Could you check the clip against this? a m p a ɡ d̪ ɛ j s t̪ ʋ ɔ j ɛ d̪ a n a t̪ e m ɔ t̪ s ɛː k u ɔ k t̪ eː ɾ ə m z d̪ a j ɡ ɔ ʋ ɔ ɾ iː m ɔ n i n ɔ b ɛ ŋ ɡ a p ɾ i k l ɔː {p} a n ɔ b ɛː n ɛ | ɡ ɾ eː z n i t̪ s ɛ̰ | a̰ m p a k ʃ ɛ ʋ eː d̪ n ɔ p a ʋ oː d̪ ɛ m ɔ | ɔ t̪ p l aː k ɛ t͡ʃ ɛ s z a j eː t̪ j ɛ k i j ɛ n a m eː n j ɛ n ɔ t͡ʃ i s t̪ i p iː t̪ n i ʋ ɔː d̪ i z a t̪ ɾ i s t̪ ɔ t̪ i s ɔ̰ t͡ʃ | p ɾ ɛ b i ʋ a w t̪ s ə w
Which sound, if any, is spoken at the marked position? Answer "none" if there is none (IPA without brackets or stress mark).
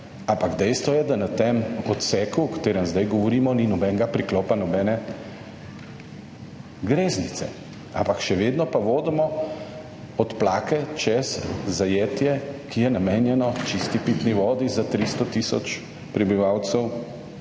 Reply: p